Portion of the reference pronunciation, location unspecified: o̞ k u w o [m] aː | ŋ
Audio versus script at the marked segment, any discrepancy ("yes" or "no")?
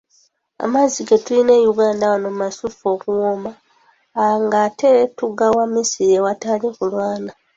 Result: no